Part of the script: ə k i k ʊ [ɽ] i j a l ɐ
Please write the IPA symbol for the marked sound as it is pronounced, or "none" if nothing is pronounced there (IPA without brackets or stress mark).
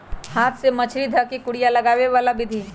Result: ɽ